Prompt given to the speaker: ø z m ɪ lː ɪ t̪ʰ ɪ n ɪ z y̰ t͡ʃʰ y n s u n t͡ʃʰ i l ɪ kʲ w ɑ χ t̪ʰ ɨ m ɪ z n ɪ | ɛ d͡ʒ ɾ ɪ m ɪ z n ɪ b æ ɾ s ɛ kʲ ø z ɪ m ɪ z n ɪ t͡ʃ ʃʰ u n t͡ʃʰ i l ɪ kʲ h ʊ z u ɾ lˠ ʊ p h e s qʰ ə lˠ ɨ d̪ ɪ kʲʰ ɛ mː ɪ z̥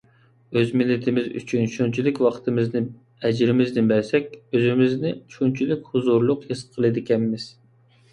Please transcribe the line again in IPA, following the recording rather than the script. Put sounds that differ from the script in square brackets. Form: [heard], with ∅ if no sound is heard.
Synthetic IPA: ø z m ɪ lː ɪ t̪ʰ ɪ [m] ɪ z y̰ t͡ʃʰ y n [ʃ] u n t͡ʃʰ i l ɪ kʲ w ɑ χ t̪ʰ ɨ m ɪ z n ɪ | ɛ d͡ʒ ɾ ɪ m ɪ z n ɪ b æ ɾ s ɛ kʲ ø z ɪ m ɪ z n ɪ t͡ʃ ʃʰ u n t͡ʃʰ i l ɪ kʲ h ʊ z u ɾ lˠ ʊ [q] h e s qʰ ə lˠ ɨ d̪ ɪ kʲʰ ɛ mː ɪ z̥